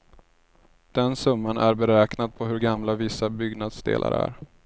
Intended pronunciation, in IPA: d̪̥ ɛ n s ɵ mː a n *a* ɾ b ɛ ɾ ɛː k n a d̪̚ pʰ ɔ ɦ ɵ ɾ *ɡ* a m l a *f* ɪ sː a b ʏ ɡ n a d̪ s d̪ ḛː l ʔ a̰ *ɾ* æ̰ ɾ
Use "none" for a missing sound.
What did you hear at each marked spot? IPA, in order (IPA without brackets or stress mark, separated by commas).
æ, ɡ, v, ɾ